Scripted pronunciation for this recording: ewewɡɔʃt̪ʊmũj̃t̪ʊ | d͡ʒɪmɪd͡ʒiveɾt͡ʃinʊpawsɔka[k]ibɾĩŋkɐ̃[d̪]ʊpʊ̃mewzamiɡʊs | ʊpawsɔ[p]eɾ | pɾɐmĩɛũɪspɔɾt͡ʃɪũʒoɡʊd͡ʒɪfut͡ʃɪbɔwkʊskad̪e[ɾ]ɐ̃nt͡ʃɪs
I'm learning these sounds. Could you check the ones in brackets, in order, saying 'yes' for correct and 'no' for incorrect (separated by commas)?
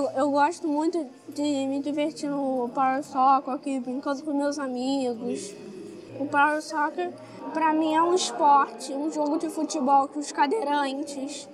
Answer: yes, yes, no, yes